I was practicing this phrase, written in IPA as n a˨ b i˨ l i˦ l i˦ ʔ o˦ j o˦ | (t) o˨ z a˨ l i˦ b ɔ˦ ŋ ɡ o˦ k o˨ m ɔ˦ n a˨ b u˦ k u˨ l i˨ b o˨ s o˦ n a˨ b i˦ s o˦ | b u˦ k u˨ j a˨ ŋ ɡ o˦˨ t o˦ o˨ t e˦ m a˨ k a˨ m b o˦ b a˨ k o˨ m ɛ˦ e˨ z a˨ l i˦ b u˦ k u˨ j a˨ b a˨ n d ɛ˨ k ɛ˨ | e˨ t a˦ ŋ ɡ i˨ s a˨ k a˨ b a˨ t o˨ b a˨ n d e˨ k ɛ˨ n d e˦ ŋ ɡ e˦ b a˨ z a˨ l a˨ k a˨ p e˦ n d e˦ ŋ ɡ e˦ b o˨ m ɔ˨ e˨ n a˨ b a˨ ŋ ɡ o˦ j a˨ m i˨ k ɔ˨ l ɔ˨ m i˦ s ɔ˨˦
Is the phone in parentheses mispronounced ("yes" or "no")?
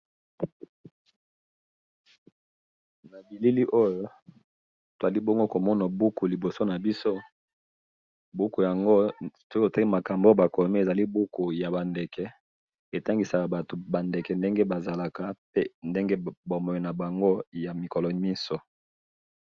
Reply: no